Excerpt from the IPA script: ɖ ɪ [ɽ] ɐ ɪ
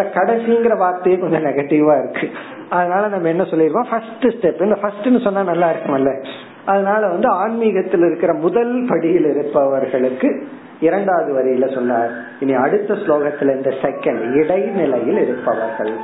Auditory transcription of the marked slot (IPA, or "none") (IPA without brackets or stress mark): ɽ